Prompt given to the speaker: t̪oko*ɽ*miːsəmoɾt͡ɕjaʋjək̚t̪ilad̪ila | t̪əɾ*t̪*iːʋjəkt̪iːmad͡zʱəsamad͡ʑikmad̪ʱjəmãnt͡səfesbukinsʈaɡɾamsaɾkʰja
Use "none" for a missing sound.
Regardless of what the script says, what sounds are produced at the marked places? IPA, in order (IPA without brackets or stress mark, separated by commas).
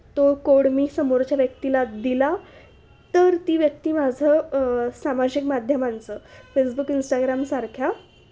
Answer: ɽ, t̪